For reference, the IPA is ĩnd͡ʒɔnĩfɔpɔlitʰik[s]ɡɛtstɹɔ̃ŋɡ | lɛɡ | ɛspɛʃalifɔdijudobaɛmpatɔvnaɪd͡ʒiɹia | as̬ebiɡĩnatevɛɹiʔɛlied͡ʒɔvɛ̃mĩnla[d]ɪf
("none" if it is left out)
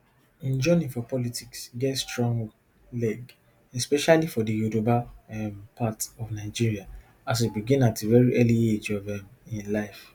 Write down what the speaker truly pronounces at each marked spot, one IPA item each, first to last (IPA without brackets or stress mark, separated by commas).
s, none